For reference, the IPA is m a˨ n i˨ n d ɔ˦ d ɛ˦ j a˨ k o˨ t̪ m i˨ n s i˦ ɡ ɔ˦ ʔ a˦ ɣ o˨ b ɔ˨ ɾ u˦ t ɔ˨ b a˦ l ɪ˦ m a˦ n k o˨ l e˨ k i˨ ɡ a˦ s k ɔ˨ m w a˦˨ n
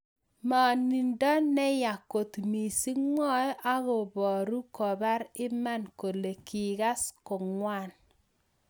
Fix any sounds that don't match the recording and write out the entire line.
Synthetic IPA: m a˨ n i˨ n d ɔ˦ n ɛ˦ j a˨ k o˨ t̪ m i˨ s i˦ ŋ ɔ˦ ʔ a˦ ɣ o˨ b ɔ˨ ɾ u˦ k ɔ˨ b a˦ ɾ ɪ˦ m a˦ n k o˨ l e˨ k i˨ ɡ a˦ s k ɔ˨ ŋ w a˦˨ n